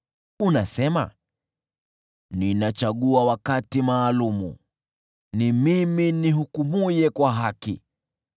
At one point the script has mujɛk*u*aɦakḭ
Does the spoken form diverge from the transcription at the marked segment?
yes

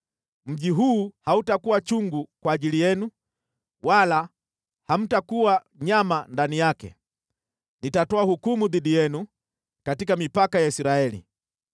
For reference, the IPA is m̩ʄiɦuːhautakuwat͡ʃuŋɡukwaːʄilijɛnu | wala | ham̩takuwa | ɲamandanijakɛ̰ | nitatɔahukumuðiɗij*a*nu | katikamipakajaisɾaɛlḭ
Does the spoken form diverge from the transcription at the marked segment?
yes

